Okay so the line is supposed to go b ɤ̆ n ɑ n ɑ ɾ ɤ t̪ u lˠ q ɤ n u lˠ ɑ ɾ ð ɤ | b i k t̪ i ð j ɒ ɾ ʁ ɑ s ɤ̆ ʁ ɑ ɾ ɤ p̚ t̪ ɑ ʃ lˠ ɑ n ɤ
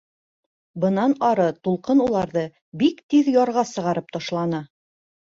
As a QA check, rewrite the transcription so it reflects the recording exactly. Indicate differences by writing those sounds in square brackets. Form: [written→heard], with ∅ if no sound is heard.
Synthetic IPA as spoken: b ɤ̆ n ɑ n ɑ ɾ ɤ t̪ u lˠ q ɤ n u lˠ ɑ ɾ ð ɤ | b i k t̪ i ð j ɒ ɾ ʁ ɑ s ɤ̆ ʁ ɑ ɾ ɤ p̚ t̪ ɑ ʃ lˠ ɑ n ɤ